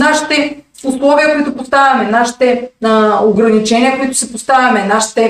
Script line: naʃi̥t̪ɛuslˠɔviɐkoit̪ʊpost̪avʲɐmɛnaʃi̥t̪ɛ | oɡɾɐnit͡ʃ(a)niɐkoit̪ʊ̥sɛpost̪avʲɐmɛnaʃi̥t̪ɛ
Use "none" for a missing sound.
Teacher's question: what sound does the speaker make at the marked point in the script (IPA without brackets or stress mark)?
ɛ